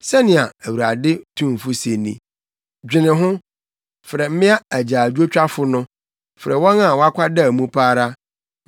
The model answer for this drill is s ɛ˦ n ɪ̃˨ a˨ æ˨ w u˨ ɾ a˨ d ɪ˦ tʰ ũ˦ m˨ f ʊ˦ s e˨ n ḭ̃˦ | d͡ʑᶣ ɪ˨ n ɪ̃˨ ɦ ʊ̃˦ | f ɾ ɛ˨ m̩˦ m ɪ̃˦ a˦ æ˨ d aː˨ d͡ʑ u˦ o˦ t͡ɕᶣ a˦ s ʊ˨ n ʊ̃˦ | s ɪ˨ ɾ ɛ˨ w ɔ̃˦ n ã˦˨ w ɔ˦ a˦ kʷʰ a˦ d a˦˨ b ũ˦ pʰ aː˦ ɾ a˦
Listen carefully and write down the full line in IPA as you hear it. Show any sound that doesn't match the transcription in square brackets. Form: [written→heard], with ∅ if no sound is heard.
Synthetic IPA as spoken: s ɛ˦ n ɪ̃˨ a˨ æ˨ w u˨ ɾ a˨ d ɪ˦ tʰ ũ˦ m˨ f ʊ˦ s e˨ n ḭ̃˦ | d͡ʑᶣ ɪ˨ n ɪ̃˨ ɦ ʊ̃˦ | f ɾ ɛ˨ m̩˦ m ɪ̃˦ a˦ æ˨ [d→d͡ʑ] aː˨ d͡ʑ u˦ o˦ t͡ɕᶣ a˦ [s→f] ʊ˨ n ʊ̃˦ | [s→f] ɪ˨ ɾ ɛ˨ w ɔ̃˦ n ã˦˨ w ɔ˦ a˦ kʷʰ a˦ d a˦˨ [b→m] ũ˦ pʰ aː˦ ɾ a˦